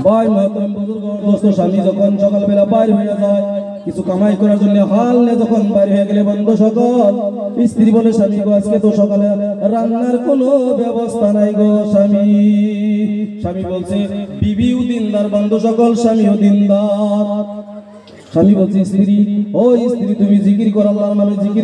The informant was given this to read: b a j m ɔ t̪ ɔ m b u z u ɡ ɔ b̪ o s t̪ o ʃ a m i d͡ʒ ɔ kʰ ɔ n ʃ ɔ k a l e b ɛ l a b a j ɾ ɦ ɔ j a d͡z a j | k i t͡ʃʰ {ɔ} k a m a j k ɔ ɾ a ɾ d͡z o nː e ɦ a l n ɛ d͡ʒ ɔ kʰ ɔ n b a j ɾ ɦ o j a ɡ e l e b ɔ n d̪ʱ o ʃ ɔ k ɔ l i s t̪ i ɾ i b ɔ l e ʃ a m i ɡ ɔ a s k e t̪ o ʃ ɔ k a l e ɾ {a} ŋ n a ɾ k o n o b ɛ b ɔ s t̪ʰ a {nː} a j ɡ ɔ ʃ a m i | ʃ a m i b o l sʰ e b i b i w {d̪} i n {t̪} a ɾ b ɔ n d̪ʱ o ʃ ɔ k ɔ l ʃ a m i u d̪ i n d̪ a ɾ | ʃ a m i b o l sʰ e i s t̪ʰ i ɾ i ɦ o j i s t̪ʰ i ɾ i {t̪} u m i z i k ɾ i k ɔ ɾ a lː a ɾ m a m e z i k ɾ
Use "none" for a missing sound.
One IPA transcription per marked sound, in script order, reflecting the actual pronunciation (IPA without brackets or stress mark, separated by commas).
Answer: u, a, n, d̪, d̪, t̪